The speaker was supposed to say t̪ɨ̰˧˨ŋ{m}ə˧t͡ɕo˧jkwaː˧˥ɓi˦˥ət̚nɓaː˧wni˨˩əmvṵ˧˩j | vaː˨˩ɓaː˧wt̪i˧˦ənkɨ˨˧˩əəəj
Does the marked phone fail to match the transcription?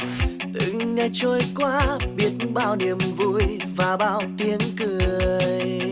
yes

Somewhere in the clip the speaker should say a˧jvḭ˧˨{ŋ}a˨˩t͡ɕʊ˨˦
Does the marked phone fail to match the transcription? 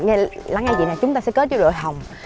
yes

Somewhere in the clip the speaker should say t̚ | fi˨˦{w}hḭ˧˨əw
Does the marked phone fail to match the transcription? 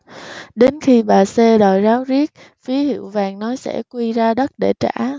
yes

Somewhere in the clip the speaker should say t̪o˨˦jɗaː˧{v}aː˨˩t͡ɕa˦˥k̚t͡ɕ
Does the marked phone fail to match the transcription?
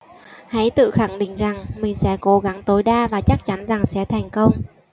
no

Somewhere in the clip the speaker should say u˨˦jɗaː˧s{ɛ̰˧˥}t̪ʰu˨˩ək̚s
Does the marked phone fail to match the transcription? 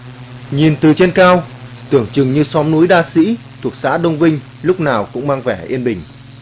yes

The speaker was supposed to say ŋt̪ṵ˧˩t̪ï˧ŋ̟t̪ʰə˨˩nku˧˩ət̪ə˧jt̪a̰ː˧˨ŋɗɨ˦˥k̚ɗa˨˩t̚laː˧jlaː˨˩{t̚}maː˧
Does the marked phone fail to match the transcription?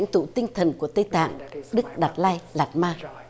no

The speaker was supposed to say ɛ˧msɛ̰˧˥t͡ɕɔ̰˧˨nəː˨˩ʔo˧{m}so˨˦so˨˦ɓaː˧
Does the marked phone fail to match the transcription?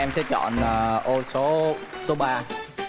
yes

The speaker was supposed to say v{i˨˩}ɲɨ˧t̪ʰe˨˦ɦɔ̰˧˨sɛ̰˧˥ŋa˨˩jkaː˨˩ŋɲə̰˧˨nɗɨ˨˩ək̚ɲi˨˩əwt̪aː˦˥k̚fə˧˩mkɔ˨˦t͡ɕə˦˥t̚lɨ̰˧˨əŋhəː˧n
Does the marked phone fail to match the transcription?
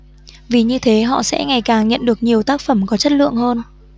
no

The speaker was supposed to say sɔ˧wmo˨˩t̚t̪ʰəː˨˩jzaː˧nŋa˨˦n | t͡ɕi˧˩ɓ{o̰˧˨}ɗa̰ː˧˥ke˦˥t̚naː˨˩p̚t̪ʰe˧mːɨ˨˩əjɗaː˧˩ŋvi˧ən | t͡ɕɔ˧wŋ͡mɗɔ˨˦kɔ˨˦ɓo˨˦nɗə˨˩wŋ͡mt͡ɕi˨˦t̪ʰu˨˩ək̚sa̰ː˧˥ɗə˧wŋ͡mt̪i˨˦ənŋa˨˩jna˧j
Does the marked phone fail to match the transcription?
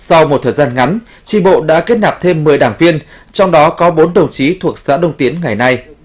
no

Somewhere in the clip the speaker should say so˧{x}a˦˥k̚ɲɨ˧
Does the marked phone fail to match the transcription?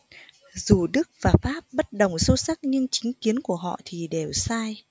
yes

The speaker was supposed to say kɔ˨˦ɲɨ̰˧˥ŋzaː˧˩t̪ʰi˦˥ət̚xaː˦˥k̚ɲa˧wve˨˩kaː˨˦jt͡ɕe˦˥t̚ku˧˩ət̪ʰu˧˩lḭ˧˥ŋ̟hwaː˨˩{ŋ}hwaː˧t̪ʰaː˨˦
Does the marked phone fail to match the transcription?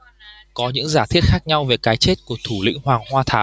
no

